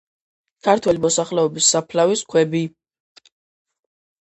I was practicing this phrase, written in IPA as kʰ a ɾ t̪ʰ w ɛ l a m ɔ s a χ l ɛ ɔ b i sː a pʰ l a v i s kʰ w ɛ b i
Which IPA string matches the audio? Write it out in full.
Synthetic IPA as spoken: kʰ a ɾ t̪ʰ w ɛ l i m ɔ s a χ l ɛ ɔ b i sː a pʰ l a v i s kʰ w ɛ b i